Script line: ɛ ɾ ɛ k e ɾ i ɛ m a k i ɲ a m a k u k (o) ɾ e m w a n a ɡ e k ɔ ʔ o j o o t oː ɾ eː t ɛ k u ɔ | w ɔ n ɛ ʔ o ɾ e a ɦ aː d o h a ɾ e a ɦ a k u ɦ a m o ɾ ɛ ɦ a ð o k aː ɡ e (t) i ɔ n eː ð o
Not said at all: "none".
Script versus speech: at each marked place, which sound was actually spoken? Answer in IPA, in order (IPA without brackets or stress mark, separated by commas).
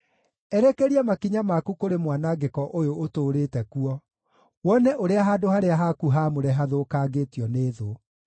o, t